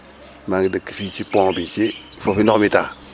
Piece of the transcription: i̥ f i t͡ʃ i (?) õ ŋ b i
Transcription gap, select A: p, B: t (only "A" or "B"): A